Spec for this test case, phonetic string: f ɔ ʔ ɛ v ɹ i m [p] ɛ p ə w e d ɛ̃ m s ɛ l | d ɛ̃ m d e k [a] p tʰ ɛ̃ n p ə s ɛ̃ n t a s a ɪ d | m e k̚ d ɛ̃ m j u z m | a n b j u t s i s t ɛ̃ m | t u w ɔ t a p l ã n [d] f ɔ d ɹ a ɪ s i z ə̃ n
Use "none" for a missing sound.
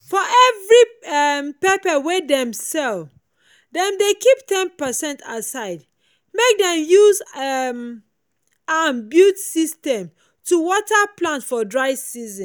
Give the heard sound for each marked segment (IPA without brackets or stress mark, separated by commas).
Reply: p, i, t